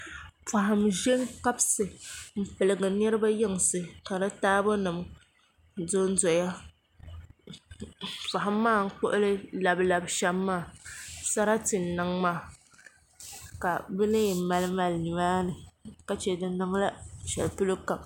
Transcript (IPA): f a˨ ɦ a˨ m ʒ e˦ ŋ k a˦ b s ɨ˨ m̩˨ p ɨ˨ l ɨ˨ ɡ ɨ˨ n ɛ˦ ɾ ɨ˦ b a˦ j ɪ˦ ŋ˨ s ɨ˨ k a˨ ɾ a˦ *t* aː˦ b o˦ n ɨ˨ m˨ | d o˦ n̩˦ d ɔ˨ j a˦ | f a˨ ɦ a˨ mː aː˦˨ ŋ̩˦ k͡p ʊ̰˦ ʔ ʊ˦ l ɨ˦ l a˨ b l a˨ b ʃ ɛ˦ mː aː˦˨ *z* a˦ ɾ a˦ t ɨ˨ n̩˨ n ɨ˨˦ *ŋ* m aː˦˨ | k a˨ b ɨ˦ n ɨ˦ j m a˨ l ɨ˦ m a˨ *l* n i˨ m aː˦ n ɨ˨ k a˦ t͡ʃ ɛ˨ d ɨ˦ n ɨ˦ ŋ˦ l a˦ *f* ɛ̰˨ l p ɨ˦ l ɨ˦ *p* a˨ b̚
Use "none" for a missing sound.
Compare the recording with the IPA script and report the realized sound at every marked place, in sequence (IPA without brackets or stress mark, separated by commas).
t, s, ŋ, l, ʃ, k